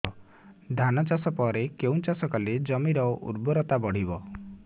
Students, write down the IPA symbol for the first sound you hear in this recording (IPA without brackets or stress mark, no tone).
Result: d̪ʱ